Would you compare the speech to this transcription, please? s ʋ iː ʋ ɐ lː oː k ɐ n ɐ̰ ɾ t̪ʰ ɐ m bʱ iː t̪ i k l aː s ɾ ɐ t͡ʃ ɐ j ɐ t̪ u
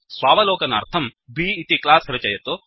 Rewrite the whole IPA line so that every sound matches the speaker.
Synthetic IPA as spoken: s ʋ aː ʋ ɐ l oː k ɐ n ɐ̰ ɾ t̪ʰ ɐ m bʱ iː t̪ i k l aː s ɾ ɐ t͡ʃ ɐ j ɐ t̪ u